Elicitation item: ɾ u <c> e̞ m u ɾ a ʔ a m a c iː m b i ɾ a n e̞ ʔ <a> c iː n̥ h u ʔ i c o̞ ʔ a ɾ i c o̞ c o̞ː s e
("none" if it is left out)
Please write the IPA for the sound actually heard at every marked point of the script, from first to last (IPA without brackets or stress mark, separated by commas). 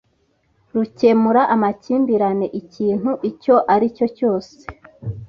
c, i